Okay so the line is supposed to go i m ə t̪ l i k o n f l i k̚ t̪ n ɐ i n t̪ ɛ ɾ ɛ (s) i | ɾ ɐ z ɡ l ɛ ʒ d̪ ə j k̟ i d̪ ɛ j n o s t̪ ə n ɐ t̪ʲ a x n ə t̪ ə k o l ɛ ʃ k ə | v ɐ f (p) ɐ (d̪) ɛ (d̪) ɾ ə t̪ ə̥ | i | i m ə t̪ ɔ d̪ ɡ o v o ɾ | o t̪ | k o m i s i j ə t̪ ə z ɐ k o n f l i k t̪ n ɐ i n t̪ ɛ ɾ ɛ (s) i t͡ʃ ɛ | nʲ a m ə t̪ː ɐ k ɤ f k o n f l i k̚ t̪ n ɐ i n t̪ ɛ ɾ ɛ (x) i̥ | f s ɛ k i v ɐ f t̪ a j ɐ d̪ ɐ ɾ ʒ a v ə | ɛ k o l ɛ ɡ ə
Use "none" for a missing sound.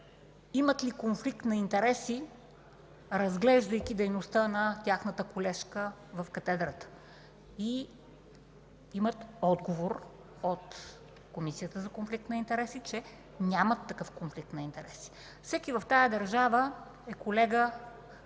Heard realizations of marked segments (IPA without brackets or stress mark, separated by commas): s, k, t̪, d̪, s, s